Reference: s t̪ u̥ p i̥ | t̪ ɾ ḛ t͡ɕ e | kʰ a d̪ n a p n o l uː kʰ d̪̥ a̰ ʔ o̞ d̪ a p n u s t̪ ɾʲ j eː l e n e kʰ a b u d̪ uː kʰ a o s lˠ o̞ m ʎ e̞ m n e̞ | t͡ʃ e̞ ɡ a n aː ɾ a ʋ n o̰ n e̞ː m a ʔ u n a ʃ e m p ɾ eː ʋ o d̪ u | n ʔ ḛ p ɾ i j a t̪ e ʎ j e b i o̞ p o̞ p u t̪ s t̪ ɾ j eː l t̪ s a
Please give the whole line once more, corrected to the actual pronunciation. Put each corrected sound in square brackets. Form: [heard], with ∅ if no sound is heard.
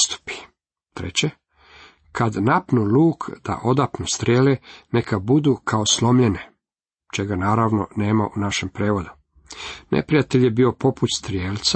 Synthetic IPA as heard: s t̪ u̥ p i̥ | t̪ ɾ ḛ t͡ɕ e | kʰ a d̪ n a p n [u] l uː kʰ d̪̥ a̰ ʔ o̞ d̪ a p n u s t̪ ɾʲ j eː l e n e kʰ a b u d̪ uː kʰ a o s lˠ o̞ m ʎ e̞ [∅] n e̞ | t͡ʃ e̞ ɡ a n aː ɾ a ʋ n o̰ n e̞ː m a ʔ u n a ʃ e m p ɾ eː ʋ o d̪ u | n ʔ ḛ p ɾ i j a t̪ e ʎ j e b i o̞ p o̞ p u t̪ s t̪ ɾ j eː l t̪ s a